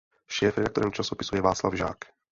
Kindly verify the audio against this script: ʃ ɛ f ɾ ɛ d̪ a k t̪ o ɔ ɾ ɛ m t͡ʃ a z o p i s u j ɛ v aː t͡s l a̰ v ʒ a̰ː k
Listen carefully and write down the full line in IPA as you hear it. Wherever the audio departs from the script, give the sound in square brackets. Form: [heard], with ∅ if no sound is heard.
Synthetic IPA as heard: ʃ [ɛː] f ɾ ɛ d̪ a k t̪ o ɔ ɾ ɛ m t͡ʃ a [s] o p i s u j ɛ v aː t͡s l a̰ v ʒ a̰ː k